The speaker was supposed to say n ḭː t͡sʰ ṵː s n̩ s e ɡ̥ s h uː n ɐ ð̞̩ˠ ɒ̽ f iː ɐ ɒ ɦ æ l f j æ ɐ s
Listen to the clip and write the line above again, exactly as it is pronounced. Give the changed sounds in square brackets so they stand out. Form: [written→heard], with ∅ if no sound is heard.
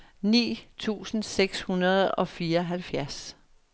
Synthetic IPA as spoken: n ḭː t͡sʰ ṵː s n̩ s e ɡ̥ s h [uː→u] n ɐ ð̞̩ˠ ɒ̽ f iː ɐ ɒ ɦ æ l f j æ ɐ s

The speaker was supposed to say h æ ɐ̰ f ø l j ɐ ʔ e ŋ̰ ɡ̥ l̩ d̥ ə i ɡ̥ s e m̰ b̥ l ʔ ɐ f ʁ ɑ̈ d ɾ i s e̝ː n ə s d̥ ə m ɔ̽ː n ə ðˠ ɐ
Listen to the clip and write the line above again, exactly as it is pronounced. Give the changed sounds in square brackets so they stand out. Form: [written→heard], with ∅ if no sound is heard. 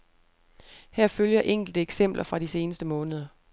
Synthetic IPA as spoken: h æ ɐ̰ f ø l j ɐ ʔ e ŋ̰ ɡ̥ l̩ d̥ ə [i→e] ɡ̥ s e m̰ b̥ l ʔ ɐ f ʁ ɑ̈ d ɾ i s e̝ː n ə s d̥ ə m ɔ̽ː n ə ðˠ ɐ

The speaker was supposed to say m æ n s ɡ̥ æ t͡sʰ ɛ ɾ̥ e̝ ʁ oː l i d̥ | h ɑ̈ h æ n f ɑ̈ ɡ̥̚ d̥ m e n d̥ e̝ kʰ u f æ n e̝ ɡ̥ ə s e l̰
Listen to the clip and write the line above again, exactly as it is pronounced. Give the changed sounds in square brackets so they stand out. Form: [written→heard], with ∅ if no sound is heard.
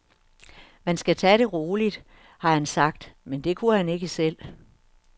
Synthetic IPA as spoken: m æ n s ɡ̥ æ t͡sʰ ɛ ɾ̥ e̝ ʁ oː l i d̥ | h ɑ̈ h æ n [f→s] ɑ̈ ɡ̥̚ d̥ m e n d̥ e̝ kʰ u [f→h] æ n e̝ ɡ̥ ə s e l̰

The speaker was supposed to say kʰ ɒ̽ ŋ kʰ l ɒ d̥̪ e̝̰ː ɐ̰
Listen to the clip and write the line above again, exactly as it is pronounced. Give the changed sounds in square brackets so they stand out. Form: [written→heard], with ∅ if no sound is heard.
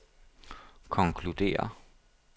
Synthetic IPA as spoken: kʰ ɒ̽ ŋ kʰ l [ɒ→u] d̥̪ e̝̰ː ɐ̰

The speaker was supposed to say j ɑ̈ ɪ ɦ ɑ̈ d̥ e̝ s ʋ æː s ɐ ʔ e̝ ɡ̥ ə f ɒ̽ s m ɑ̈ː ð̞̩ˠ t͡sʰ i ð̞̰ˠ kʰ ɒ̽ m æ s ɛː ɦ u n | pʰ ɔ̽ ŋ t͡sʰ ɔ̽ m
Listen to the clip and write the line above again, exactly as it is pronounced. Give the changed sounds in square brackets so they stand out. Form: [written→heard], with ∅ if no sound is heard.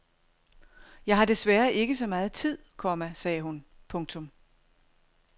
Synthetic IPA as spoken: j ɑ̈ ɪ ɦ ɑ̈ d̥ e̝ s ʋ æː [s→∅] ɐ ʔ e̝ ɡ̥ ə [f→s] ɒ̽ [s→∅] m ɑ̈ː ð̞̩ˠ t͡sʰ i ð̞̰ˠ kʰ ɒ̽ m æ s ɛː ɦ u n | pʰ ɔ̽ ŋ t͡sʰ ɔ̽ m

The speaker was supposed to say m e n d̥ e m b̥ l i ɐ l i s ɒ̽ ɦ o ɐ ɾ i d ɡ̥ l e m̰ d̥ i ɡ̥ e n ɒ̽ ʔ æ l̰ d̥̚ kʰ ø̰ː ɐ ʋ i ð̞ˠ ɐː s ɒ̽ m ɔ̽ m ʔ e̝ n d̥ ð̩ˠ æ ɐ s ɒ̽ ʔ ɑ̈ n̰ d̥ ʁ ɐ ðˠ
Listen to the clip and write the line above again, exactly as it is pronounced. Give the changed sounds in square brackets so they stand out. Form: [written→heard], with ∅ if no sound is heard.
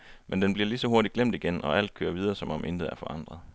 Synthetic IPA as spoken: m e n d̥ e [m→n] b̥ l i ɐ l i s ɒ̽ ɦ o ɐ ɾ i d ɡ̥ l e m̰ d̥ i ɡ̥ e n ɒ̽ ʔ æ l̰ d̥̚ kʰ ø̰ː ɐ ʋ i ð̞ˠ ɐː s ɒ̽ m [ɔ̽→ɒ̽] m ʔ e̝ n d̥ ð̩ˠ æ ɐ [s→f] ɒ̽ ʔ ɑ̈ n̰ d̥ ʁ ɐ ðˠ

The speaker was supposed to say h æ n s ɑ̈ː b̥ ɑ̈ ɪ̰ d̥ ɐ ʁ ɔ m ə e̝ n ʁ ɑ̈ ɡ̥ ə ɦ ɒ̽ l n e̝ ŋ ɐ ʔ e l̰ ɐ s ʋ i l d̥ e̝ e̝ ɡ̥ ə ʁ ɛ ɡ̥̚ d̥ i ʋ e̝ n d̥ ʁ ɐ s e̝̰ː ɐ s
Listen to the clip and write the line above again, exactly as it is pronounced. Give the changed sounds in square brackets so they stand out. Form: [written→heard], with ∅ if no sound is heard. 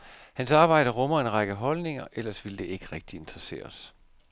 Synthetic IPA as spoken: h æ n s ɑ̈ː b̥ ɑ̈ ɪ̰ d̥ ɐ ʁ ɔ m [ə→ɐ] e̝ n ʁ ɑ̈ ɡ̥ ə ɦ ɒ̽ l n e̝ ŋ ɐ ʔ e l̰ ɐ s ʋ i l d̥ e̝ e̝ ɡ̥ ə ʁ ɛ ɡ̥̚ d̥ i [ʋ→∅] e̝ n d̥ ʁ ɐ s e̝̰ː ɐ s

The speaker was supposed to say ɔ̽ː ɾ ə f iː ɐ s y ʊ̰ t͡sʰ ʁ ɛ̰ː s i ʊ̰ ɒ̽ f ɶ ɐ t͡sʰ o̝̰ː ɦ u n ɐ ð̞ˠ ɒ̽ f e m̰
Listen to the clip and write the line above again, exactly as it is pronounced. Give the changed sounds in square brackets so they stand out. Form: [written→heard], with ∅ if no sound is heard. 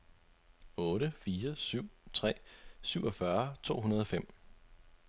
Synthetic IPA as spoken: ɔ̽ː ɾ ə f iː ɐ s y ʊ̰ t͡sʰ ʁ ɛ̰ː s [i→y] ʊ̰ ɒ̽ f ɶ ɐ t͡sʰ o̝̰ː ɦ u n ɐ ð̞ˠ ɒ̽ f e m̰

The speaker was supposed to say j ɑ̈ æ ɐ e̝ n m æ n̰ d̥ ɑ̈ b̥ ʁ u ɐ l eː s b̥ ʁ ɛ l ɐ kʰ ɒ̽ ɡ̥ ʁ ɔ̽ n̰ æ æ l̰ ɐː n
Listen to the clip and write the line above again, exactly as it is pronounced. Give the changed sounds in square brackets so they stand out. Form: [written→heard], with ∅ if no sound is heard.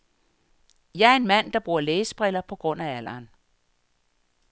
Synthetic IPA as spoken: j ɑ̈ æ ɐ e̝ n m æ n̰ d̥ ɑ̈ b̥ ʁ u ɐ l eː s b̥ ʁ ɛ l ɐ [kʰ→pʰ] ɒ̽ ɡ̥ ʁ ɔ̽ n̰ æ æ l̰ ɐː n

